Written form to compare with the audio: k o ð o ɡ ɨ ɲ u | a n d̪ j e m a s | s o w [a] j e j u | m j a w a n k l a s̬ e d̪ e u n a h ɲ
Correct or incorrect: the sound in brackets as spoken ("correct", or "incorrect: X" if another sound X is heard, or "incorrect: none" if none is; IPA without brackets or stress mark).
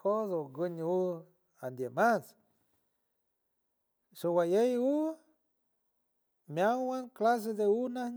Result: correct